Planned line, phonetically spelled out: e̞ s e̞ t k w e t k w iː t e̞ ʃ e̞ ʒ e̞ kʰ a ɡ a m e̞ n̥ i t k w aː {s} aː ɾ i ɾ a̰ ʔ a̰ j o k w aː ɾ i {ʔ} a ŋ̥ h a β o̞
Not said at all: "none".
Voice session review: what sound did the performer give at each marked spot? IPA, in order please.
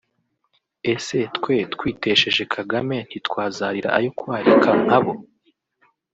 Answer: z, k

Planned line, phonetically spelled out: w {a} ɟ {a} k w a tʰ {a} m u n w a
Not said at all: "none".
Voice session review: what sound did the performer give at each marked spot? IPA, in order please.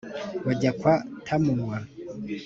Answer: a, a, a

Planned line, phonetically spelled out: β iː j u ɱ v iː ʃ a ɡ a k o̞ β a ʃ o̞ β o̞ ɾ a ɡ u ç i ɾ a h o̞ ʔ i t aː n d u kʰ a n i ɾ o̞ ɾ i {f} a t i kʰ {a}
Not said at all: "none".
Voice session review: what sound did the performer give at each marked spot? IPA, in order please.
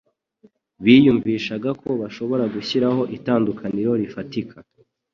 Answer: f, a

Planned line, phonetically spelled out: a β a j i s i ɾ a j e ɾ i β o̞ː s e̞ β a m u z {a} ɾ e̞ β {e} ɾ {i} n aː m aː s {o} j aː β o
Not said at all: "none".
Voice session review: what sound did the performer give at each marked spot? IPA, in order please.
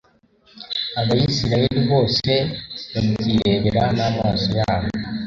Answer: i, e, a, o

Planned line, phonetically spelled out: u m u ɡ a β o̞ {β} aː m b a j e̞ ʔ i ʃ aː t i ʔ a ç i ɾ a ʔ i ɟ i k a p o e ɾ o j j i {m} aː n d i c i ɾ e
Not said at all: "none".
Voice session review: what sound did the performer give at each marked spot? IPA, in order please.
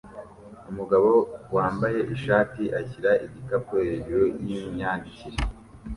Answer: w, ɲ

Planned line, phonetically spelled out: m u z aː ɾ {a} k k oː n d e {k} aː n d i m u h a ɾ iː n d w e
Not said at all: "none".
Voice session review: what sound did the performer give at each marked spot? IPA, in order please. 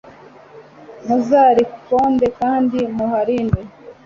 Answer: i, k

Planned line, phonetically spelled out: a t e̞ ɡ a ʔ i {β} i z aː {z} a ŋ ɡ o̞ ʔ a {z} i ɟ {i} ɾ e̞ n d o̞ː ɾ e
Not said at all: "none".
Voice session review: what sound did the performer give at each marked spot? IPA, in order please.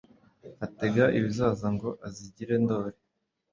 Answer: β, z, z, i

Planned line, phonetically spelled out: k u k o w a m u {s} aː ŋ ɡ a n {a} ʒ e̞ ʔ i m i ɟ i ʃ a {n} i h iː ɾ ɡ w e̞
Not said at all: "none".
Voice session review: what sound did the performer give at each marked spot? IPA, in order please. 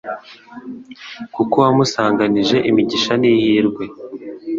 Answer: s, i, n

